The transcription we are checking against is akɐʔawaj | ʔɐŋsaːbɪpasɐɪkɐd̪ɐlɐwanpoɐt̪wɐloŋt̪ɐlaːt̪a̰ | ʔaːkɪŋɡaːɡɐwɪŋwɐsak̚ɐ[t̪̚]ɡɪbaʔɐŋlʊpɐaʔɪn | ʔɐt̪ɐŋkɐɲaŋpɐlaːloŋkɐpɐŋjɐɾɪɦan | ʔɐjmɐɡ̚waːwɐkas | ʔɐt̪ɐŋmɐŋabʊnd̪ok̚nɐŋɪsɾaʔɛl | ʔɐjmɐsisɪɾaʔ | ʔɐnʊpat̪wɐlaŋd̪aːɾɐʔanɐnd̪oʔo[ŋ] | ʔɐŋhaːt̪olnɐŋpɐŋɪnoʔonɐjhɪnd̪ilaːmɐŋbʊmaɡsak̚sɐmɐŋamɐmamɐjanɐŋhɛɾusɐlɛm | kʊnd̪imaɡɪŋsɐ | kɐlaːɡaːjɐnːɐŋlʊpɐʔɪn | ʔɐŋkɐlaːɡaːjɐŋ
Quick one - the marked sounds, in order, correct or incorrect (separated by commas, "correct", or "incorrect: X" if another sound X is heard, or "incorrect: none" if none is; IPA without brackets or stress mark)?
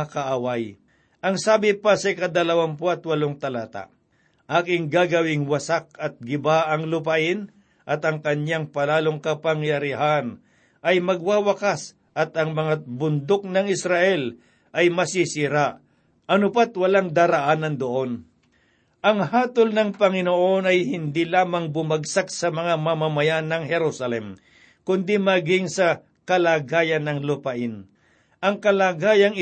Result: correct, incorrect: n